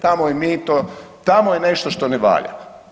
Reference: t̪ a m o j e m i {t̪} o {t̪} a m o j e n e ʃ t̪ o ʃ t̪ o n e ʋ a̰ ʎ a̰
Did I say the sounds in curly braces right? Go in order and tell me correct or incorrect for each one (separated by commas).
correct, correct